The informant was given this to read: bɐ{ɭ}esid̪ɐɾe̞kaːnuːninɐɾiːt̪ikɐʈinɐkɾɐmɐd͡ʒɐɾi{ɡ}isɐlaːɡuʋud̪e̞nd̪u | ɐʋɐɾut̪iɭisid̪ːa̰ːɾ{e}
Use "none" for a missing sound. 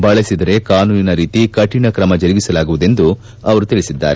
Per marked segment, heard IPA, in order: ɭ, ɡ, e

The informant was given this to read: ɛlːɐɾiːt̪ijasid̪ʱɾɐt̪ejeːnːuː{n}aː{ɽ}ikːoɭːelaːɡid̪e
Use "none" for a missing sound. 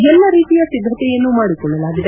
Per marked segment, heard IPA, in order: m, ɽ

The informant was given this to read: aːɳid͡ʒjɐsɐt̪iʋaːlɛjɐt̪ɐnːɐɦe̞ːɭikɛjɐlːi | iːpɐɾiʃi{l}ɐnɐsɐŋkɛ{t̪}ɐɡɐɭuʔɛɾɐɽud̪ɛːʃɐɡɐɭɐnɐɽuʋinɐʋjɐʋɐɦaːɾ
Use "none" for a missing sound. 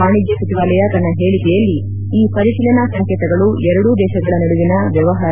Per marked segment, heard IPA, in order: l, t̪

